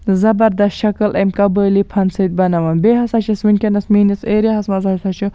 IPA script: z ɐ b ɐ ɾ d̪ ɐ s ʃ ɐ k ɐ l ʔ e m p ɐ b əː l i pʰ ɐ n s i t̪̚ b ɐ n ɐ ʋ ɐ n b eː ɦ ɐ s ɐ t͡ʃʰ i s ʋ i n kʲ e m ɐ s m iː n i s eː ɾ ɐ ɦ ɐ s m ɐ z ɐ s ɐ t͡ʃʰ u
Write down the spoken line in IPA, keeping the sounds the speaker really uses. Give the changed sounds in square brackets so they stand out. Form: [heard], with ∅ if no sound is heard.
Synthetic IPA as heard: z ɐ b ɐ ɾ d̪ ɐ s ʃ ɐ k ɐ l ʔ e m [k] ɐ b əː l i pʰ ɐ n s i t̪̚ b ɐ n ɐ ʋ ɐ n b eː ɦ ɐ s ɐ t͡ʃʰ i s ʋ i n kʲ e [n] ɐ s m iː n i s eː ɾ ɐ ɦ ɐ s m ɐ z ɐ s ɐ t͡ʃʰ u

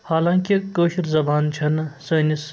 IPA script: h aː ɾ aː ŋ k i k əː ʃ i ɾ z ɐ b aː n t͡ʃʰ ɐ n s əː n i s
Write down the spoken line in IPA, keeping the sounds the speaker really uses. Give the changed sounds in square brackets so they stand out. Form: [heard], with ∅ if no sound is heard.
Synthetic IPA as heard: h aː [l] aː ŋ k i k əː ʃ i ɾ z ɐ b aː n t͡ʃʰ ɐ n s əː n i s

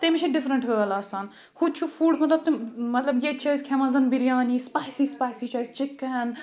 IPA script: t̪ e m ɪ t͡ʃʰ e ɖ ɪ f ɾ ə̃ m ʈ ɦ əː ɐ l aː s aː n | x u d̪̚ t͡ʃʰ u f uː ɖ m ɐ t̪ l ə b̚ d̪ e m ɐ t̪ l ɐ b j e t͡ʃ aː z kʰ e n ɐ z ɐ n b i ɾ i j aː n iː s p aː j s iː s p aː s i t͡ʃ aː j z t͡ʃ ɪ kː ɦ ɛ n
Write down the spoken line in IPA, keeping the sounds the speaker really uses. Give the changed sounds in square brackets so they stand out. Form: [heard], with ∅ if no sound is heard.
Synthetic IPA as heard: t̪ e m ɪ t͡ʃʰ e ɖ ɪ f ɾ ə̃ [ɳ] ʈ ɦ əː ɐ l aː s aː n | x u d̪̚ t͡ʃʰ u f uː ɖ m ɐ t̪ l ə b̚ [t̪] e m ɐ t̪ l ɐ b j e t͡ʃ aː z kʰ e [m] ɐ z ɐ n b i ɾ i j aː n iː s p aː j s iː s p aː s i t͡ʃ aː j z t͡ʃ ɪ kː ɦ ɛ n

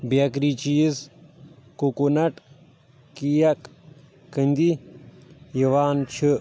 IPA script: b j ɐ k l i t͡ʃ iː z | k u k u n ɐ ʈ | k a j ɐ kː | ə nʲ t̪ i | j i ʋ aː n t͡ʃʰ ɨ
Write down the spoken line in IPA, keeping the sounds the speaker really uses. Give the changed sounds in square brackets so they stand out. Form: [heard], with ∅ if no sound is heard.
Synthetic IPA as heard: b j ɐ k [ɾ] i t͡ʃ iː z | k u k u n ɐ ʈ | k [i] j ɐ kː | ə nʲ [d̪] i | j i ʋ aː n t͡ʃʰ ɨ

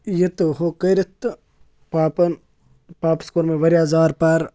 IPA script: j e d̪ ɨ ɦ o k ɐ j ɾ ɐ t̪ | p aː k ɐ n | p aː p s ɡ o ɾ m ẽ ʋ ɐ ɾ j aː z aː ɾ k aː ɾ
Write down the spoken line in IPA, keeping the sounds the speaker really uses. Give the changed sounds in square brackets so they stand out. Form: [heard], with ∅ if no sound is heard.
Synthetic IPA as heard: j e [t̪] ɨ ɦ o k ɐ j ɾ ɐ t̪ | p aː [p] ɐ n | p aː p s [k] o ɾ m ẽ ʋ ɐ ɾ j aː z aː ɾ [p] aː ɾ

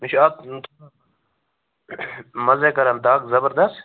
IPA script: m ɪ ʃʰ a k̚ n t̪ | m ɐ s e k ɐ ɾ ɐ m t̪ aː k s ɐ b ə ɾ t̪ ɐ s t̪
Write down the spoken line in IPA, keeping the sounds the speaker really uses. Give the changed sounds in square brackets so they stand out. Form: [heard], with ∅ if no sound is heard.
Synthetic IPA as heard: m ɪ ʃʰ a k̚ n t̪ | m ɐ [z] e k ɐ ɾ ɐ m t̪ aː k [z] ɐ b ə ɾ [d̪] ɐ s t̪

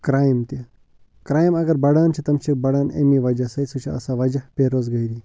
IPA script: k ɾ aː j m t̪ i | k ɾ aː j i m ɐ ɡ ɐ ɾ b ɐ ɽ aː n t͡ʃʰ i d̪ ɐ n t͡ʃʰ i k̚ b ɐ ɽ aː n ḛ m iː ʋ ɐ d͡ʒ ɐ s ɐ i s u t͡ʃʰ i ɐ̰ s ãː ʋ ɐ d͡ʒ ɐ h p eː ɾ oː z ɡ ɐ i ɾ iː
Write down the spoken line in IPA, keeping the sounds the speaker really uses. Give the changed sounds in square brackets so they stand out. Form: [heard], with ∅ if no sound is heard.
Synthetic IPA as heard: k ɾ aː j m t̪ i | k ɾ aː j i m ɐ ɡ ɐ ɾ b ɐ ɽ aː n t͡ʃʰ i [t̪] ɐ [m] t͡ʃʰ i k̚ b ɐ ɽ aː n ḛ m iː ʋ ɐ d͡ʒ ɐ s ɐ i s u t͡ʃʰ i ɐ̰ s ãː ʋ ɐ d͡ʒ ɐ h p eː ɾ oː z ɡ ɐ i ɾ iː

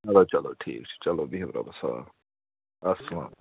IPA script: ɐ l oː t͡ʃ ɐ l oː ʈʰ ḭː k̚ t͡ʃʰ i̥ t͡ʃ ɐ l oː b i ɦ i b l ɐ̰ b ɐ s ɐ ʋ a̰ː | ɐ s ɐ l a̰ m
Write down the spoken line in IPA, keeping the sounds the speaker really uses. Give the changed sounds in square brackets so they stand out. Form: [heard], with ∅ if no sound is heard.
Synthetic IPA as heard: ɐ l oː t͡ʃ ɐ l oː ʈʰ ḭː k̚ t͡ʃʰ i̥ t͡ʃ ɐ l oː b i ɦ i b [ɾ] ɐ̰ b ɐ s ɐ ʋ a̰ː | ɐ s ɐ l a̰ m

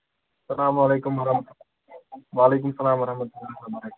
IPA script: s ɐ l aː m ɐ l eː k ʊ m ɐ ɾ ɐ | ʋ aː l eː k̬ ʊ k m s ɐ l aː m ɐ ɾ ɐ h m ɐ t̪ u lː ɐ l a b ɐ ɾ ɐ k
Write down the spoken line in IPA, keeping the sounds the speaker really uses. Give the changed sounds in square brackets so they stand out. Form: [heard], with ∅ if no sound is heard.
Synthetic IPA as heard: s ɐ l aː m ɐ l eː k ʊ m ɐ ɾ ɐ | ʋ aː l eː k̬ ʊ [∅] m s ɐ l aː m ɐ ɾ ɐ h m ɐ t̪ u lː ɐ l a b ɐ ɾ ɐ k

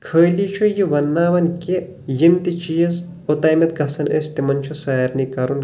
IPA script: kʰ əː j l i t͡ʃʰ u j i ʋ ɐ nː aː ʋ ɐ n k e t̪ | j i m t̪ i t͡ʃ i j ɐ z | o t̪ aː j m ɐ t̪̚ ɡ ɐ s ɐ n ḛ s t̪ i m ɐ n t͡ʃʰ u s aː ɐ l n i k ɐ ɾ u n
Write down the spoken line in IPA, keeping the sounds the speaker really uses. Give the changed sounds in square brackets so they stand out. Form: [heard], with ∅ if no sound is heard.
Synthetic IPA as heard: kʰ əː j l i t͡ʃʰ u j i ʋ ɐ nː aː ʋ ɐ n k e [∅] | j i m t̪ i t͡ʃ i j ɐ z | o t̪ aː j m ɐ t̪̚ ɡ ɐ s ɐ n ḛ s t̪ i m ɐ n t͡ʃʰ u s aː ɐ [ɾ] n i k ɐ ɾ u n

